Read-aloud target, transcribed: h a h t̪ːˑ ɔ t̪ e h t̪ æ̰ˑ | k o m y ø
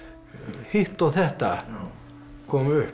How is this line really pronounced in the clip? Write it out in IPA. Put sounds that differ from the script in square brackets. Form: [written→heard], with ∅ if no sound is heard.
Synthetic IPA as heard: h [a→i] h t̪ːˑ [ɔ→o] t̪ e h t̪ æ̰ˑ | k o m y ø